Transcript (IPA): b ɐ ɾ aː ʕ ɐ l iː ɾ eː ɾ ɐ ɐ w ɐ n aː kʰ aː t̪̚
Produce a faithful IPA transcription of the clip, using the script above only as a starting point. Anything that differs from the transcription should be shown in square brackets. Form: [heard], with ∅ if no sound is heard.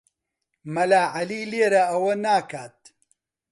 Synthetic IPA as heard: [m] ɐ [l] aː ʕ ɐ l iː [l] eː ɾ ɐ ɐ w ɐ n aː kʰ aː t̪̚